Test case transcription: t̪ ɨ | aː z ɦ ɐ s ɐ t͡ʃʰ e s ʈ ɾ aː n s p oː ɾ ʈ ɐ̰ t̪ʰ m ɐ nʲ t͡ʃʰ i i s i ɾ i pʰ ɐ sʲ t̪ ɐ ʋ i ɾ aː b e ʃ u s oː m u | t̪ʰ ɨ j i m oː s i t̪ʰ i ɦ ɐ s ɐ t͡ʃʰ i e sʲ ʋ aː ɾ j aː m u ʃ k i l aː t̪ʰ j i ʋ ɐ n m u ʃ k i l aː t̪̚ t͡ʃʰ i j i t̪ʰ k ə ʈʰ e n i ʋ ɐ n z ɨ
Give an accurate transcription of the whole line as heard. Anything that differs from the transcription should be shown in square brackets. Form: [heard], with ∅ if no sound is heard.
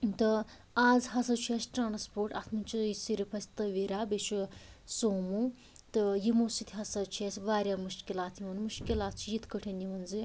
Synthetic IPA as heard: t̪ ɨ | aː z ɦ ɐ s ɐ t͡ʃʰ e s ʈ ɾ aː n s p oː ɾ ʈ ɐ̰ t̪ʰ m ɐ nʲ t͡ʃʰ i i s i ɾ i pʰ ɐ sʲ t̪ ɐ ʋ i ɾ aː b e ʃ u s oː m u | [t̪] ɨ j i m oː s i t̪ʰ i ɦ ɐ s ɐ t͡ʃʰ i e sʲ ʋ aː ɾ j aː m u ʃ k i l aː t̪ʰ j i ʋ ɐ n m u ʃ k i l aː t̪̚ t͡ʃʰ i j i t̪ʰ k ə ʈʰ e n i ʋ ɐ n z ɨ